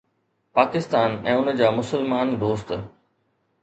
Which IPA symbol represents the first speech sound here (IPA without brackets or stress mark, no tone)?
p